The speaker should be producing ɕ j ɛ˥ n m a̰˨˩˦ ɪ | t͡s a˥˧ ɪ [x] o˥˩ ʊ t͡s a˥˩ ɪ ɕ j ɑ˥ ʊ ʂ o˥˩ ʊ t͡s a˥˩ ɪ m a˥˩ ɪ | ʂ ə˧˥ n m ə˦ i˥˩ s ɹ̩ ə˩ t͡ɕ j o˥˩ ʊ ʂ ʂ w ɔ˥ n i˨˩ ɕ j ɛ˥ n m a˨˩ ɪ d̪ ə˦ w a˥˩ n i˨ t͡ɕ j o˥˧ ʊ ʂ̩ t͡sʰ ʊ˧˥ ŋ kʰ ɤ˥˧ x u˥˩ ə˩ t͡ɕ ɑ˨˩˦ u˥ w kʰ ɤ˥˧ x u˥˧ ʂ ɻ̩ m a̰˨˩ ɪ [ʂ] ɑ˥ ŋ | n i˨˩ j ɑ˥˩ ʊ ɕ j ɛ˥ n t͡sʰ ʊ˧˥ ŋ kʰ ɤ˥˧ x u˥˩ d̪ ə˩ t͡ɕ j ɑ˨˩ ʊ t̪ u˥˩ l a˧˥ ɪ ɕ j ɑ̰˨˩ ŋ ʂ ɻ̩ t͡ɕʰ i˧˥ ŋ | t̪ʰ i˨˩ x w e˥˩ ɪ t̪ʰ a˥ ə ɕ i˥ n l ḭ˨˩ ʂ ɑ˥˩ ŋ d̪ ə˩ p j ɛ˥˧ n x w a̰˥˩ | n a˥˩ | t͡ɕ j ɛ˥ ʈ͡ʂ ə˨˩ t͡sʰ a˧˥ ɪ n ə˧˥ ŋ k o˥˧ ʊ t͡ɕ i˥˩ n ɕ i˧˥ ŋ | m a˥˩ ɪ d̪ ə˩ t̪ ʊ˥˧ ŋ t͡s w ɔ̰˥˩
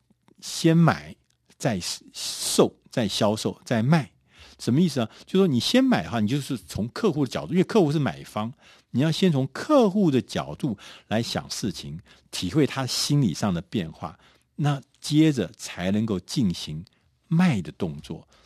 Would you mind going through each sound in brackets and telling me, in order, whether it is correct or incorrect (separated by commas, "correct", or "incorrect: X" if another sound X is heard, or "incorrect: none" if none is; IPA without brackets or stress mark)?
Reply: incorrect: ʂ, incorrect: f